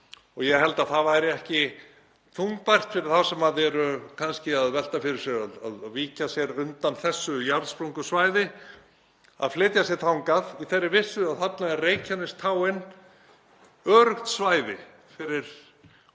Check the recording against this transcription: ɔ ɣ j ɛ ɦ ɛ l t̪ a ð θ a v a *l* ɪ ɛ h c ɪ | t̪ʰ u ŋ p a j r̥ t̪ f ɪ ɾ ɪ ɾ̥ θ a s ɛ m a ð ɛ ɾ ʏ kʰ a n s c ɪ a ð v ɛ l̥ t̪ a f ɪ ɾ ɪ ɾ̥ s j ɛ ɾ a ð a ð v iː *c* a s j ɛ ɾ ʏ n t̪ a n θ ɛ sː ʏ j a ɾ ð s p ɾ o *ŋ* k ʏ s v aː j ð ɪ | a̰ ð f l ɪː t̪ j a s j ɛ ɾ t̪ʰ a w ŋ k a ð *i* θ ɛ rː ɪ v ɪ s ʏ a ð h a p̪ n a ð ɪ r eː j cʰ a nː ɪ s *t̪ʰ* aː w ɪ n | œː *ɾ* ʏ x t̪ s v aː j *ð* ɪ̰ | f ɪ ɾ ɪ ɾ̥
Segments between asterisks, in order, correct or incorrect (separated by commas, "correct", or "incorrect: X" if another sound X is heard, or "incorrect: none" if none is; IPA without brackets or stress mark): incorrect: ɾ, correct, correct, correct, correct, correct, correct